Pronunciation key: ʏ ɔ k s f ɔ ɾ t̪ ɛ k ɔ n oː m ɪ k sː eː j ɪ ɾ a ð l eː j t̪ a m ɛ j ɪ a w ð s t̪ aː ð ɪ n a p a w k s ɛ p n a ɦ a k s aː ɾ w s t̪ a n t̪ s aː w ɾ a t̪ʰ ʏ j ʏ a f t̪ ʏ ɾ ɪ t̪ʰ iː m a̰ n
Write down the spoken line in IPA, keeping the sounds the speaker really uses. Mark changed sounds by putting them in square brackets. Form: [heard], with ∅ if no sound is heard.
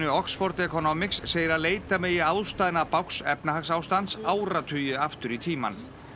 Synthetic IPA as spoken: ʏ ɔ k s f ɔ ɾ t̪ ɛ k ɔ n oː m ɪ k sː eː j ɪ ɾ a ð l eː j t̪ a m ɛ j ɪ a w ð s t̪ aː ð ɪ n a p a w k s ɛ p n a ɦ a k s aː [∅] w s t̪ a n t̪ s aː w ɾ a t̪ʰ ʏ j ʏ a f t̪ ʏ ɾ [i] t̪ʰ iː m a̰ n